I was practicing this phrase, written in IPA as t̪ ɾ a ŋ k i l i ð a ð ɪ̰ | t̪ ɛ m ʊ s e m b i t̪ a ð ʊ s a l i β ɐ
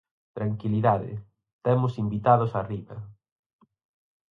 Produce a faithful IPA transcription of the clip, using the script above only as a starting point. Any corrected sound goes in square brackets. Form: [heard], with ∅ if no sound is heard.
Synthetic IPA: t̪ ɾ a ŋ k i l i ð a ð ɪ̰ | t̪ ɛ m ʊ s [i] m b i t̪ a ð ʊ s a [r] i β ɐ